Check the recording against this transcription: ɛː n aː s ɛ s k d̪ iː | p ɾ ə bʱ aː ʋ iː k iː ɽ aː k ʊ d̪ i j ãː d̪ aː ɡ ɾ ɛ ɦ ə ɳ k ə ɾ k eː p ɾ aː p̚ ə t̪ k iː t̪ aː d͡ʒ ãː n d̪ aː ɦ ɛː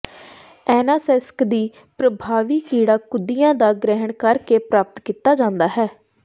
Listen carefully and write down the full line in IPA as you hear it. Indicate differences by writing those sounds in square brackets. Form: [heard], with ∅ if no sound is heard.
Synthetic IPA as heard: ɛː n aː s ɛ s k d̪ iː | p ɾ ə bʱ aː ʋ iː k iː ɽ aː k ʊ d̪ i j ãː d̪ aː ɡ ɾ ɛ ɦ ə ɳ k ə ɾ k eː p ɾ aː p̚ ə t̪ k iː t̪ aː d͡ʒ ãː n d̪ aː ɦ ɛː